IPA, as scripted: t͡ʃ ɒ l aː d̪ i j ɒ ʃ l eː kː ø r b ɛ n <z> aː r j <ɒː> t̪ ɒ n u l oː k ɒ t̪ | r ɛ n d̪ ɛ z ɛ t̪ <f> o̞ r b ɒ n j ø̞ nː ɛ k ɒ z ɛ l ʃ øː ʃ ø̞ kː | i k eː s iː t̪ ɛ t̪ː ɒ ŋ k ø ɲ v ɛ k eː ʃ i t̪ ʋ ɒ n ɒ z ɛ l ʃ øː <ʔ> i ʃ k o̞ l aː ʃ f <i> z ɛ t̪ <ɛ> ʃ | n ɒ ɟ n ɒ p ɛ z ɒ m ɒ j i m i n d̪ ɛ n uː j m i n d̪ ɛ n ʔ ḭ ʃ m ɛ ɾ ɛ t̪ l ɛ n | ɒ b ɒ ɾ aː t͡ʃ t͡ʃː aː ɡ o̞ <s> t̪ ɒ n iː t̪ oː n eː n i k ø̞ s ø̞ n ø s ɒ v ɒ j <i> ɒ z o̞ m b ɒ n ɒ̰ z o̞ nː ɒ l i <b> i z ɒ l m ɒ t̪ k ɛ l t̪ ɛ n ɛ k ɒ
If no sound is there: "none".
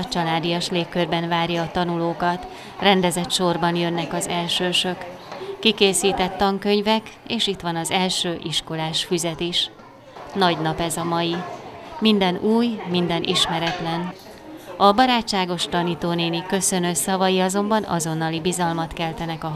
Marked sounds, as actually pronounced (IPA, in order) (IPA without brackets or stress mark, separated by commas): v, ɒː, ʃ, ʔ, y, i, ʃ, i, b